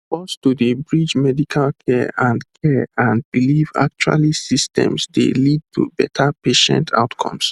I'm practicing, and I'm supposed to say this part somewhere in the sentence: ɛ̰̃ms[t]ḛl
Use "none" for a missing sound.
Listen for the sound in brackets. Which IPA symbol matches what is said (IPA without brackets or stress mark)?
d